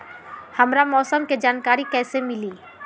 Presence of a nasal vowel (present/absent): absent